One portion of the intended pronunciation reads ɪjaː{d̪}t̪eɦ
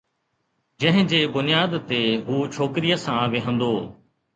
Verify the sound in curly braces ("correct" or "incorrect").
correct